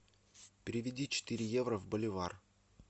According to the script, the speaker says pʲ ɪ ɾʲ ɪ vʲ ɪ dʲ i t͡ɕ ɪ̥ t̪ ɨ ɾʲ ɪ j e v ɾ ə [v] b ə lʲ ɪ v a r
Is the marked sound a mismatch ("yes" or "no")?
no